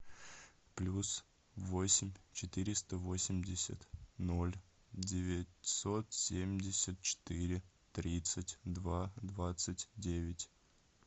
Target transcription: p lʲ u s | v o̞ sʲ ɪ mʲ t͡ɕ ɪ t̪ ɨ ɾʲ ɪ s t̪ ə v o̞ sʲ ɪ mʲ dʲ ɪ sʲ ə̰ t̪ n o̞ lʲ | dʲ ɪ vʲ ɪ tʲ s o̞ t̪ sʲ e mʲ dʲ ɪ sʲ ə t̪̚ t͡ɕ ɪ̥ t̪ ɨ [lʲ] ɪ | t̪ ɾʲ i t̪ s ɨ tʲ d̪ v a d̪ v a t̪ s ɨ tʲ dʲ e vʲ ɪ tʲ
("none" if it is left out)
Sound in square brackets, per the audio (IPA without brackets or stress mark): ɾʲ